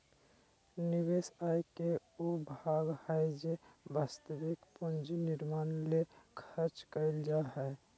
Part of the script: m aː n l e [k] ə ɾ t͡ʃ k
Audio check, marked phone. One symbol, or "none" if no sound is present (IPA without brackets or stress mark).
kʰ